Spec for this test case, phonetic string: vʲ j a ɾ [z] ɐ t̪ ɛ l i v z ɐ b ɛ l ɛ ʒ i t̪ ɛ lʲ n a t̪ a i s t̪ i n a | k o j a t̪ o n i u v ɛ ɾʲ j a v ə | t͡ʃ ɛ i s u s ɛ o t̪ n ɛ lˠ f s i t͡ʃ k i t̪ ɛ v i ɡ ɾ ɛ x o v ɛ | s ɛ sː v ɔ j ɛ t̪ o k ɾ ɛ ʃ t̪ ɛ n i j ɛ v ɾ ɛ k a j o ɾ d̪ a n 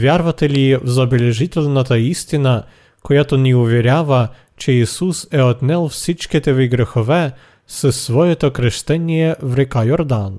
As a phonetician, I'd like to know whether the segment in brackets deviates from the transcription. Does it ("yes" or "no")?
yes